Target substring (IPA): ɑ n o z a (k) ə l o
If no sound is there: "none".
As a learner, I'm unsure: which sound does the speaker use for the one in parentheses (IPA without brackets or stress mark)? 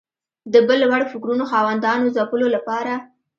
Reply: p